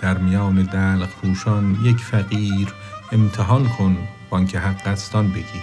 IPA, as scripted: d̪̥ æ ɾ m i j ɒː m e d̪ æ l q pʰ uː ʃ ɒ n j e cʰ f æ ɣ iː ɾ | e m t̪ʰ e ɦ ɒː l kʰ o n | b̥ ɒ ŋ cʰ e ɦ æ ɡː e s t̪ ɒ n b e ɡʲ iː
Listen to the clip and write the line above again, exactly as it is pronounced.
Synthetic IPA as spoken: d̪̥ æ ɾ m i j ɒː n e d̪ æ l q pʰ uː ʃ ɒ n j e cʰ f æ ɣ iː ɾ | e m t̪ʰ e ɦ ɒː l kʰ o n | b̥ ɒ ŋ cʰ e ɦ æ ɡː æ s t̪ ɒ n b e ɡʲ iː